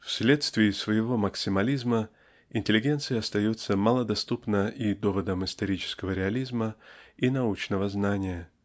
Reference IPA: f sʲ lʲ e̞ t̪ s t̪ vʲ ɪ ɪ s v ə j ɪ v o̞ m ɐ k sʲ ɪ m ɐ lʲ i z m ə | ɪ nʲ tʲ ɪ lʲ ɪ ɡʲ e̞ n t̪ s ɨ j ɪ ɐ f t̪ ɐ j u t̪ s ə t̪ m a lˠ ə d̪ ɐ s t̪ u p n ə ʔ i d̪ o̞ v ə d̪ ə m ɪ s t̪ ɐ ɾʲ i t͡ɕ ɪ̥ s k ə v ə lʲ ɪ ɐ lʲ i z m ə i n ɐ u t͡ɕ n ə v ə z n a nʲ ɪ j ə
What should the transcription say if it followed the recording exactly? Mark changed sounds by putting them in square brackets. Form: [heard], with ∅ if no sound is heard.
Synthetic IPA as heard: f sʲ lʲ e̞ t̪ s t̪ vʲ ɪ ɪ s v ə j ɪ v o̞ m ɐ k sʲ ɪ m ɐ lʲ i z m ə | ɪ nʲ tʲ ɪ lʲ ɪ ɡʲ e̞ n t̪ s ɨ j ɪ ɐ [s] t̪ ɐ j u t̪ s ə [∅] m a lˠ ə d̪ ɐ s t̪ u p n ə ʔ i d̪ o̞ v ə d̪ ə m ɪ s t̪ ɐ ɾʲ i t͡ɕ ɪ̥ s k ə v ə [ɾʲ] ɪ ɐ lʲ i z m ə i n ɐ u t͡ɕ n ə v ə z n a nʲ ɪ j ə

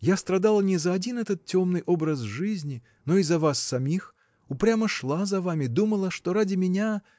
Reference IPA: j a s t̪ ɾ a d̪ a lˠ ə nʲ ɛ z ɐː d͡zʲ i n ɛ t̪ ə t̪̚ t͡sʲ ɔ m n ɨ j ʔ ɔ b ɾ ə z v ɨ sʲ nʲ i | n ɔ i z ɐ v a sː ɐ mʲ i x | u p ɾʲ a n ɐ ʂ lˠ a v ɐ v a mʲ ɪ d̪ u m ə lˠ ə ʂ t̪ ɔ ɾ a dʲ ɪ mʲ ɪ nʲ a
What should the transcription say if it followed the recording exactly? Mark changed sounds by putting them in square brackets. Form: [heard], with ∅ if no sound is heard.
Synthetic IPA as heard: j a s t̪ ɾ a d̪ a lˠ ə nʲ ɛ z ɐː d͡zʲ i n ɛ t̪ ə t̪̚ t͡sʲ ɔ m n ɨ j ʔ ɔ b ɾ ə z [ʐ] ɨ [zʲ] nʲ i | n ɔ i z ɐ v a sː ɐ mʲ i x | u p ɾʲ a [m] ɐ ʂ lˠ a [z] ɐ v a mʲ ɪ d̪ u m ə lˠ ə ʂ t̪ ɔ ɾ a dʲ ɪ mʲ ɪ nʲ a

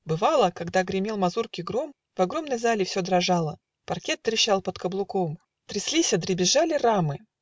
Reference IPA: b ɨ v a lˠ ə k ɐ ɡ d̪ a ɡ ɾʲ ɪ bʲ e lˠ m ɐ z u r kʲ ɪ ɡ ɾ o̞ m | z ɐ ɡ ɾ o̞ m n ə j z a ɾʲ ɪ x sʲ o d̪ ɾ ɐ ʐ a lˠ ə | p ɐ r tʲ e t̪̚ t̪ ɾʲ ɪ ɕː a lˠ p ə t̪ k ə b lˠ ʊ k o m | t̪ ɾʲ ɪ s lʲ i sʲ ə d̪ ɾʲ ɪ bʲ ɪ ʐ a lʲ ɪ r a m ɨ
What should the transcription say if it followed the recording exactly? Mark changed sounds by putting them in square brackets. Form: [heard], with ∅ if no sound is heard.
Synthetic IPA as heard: b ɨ v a lˠ ə k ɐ ɡ d̪ a ɡ ɾʲ ɪ [mʲ] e lˠ m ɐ z u r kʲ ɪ ɡ ɾ o̞ m | [v] ɐ ɡ ɾ o̞ m n ə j z a [lʲ] ɪ [f] sʲ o d̪ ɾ ɐ ʐ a lˠ ə | p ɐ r [kʲ] e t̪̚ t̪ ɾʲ ɪ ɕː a lˠ p ə t̪ k ə b lˠ ʊ k o m | t̪ ɾʲ ɪ s lʲ i sʲ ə d̪ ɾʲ ɪ bʲ ɪ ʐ a lʲ ɪ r a m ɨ

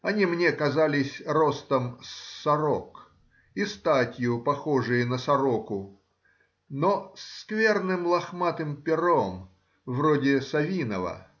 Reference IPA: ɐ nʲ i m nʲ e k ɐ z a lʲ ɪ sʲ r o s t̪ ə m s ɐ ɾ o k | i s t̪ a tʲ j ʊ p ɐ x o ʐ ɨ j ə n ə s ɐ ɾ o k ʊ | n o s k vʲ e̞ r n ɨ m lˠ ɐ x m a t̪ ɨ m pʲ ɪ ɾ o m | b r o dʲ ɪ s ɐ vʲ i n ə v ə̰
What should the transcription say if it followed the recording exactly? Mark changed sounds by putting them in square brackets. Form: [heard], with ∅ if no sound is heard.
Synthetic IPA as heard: ɐ nʲ i m nʲ e k ɐ z a lʲ ɪ sʲ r o s t̪ ə m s ɐ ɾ o k | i s t̪ a tʲ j ʊ p ɐ x o ʐ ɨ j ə n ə s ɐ ɾ o k ʊ | n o s k vʲ e̞ r n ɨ m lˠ ɐ x m a t̪ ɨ m pʲ ɪ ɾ o m | [v] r o dʲ ɪ s ɐ vʲ i n ə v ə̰

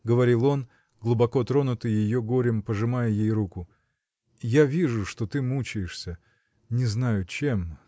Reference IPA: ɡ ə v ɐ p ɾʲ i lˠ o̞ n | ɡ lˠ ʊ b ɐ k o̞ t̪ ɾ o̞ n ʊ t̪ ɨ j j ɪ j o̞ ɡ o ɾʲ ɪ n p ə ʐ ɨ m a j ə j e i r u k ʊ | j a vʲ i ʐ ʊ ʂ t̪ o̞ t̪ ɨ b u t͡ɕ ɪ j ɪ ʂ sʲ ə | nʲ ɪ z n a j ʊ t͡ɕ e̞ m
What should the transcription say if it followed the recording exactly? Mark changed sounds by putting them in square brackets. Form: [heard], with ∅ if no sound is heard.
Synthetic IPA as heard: ɡ ə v ɐ [∅] ɾʲ i lˠ o̞ n | ɡ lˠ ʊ b ɐ k o̞ t̪ ɾ o̞ n ʊ t̪ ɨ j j ɪ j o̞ ɡ o ɾʲ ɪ [m] p ə ʐ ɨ m a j ə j e [j] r u k ʊ | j a vʲ i ʐ ʊ ʂ t̪ o̞ t̪ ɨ [m] u t͡ɕ ɪ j ɪ ʂ sʲ ə | nʲ ɪ z n a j ʊ t͡ɕ e̞ m

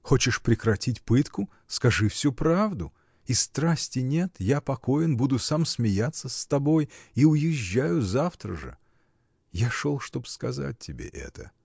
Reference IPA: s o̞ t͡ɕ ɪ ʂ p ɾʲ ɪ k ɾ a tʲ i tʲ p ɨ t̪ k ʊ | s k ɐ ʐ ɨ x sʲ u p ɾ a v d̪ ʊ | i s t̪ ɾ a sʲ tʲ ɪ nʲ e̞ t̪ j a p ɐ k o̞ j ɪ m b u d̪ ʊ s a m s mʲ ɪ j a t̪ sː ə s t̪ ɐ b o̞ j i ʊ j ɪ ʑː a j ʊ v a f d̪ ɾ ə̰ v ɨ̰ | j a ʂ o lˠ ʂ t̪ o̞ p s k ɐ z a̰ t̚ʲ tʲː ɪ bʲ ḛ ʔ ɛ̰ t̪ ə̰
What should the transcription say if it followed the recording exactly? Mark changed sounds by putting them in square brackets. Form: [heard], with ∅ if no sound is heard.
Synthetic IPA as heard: [x] o̞ t͡ɕ ɪ ʂ p ɾʲ ɪ k ɾ [ɐ] tʲ i tʲ p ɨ t̪ k ʊ | s k ɐ ʐ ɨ [f] sʲ u p ɾ a v d̪ ʊ | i s t̪ ɾ a sʲ tʲ ɪ nʲ e̞ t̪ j a p ɐ k o̞ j ɪ [n] b u d̪ ʊ s a m s mʲ ɪ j a t̪ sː ə s t̪ ɐ b o̞ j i ʊ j ɪ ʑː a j ʊ [z] a f [t̪] ɾ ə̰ [ʐ] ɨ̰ | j a ʂ o lˠ ʂ t̪ o̞ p s k ɐ z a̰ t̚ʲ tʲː ɪ bʲ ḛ ʔ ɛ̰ t̪ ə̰

